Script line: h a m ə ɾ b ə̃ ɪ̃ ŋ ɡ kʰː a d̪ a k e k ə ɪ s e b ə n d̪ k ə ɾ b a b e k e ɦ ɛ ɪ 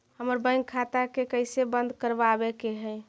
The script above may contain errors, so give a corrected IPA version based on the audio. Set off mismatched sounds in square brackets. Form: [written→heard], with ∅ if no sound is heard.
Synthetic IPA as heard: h [a→ə] m ə ɾ b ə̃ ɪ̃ ŋ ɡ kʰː a [d̪→t̪] a k e k ə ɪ s e b ə n d̪ k ə ɾ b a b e k e ɦ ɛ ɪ